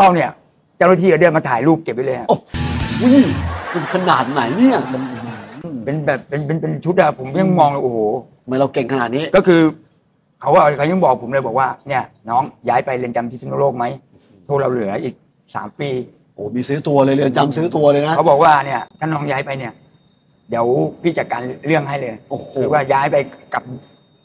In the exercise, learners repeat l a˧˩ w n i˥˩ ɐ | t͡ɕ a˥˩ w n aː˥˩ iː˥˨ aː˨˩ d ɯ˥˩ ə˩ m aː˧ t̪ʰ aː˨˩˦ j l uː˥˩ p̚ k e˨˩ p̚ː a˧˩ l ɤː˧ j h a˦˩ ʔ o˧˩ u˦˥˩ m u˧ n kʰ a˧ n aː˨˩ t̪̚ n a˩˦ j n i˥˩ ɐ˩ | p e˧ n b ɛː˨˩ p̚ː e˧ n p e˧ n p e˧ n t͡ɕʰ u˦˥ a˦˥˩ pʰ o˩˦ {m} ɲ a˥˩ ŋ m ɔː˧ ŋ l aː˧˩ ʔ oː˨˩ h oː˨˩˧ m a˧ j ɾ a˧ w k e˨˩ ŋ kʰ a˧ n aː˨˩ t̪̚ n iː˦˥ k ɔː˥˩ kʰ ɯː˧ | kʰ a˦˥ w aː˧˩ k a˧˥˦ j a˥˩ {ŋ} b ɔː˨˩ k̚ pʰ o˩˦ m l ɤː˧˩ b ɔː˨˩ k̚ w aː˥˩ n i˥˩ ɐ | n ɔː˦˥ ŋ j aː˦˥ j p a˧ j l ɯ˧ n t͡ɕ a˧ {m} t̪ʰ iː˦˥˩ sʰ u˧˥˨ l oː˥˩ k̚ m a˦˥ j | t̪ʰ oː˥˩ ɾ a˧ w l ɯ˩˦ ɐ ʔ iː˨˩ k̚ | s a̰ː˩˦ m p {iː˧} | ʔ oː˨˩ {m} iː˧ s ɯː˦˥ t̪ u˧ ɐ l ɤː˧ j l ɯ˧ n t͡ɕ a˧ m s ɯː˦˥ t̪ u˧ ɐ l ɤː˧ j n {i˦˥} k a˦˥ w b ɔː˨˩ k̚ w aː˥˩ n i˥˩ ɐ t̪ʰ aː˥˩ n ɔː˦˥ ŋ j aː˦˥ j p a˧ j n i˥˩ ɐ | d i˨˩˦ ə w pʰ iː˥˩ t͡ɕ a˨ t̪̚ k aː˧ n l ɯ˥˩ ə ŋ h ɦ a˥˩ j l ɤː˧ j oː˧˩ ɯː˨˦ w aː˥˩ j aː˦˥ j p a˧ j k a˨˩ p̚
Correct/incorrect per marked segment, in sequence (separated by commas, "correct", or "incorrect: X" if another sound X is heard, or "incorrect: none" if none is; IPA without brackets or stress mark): correct, correct, correct, correct, correct, incorrect: a˦˥